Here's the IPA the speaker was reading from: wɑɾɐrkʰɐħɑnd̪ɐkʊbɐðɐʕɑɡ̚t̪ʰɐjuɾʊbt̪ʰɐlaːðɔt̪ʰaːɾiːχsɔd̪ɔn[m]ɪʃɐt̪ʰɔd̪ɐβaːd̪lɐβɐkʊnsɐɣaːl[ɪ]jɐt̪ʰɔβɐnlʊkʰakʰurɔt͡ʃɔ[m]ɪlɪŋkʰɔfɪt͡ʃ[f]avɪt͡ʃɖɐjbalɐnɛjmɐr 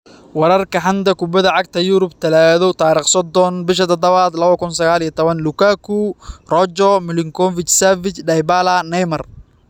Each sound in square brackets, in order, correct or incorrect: incorrect, incorrect, correct, incorrect

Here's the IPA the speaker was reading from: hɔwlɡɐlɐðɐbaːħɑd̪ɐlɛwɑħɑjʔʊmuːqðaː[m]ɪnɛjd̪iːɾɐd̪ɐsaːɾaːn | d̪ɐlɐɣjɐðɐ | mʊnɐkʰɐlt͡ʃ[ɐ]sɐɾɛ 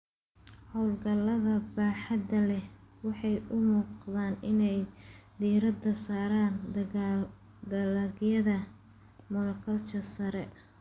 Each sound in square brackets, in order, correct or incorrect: incorrect, correct

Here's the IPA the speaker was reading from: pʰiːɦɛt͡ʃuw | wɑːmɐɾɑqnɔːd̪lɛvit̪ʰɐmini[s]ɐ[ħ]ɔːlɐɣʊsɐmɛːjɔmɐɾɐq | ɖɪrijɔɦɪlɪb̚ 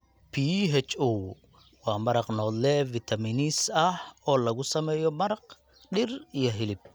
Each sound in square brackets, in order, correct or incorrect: correct, incorrect

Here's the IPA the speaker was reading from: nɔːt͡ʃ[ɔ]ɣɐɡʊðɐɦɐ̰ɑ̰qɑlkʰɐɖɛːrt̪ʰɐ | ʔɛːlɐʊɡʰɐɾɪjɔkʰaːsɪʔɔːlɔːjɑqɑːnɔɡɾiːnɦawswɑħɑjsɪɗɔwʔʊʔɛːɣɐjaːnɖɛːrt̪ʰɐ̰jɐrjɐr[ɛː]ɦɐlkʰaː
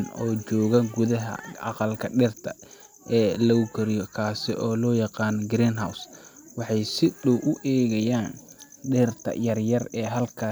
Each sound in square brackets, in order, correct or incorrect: incorrect, correct

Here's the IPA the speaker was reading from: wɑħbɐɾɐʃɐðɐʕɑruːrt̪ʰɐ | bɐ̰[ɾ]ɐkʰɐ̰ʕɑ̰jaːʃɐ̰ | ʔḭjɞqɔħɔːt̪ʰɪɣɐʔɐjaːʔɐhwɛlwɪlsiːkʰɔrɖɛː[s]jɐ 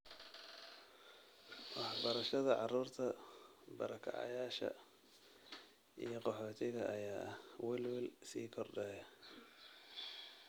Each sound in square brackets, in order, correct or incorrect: correct, incorrect

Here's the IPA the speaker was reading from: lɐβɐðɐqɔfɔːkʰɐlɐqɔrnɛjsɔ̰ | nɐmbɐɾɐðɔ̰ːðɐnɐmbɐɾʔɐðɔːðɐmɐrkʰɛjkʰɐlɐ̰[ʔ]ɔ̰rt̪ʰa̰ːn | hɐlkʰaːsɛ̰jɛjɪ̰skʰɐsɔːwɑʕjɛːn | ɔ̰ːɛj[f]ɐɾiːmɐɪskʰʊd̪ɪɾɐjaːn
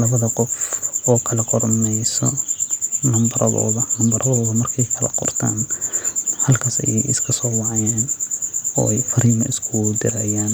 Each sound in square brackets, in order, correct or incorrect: incorrect, correct

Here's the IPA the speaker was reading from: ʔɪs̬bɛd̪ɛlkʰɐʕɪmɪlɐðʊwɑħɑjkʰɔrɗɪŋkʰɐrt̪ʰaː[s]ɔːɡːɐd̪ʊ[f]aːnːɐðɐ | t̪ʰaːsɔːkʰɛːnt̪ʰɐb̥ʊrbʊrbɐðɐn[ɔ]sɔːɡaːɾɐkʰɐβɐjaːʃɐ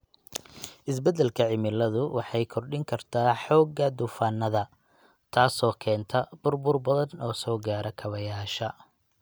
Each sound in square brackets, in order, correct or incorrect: incorrect, correct, incorrect

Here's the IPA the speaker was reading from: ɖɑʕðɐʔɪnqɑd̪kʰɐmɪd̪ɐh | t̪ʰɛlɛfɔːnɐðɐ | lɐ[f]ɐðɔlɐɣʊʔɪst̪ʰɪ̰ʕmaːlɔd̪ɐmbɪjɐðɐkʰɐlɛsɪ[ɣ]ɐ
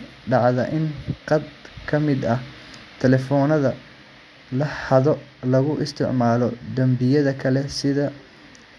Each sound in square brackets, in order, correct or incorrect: incorrect, incorrect

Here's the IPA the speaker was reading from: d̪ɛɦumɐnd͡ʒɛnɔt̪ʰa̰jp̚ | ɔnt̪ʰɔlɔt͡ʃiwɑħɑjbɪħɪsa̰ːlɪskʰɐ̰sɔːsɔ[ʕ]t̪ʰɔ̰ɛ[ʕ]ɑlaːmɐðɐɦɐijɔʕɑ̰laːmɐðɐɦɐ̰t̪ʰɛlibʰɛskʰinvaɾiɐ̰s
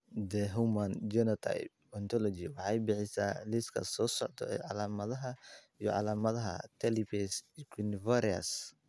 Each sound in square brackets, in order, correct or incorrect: correct, correct

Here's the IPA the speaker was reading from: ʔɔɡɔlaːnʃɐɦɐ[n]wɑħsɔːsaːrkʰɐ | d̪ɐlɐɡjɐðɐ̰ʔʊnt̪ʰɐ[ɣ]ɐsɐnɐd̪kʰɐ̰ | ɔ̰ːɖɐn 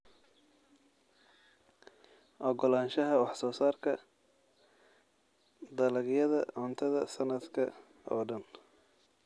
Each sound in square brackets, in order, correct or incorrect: incorrect, incorrect

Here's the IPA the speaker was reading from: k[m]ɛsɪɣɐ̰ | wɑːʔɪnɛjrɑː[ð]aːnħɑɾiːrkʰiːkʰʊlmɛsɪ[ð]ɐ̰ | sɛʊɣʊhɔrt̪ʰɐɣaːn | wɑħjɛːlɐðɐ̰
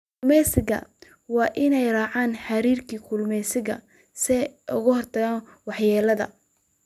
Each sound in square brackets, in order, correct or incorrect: correct, incorrect, incorrect

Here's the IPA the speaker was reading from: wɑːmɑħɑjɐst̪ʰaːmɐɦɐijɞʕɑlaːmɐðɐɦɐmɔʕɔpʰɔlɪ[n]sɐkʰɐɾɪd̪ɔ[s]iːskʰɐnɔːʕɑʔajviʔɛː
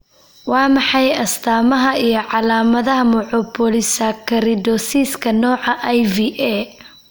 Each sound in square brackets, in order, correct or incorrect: incorrect, correct

